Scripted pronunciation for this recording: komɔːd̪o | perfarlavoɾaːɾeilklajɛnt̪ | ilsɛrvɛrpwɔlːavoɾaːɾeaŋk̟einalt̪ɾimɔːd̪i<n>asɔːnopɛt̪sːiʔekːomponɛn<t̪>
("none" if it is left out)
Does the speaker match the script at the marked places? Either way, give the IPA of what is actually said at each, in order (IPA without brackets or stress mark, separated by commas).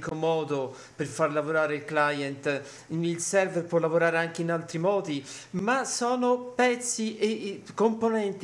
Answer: m, t̪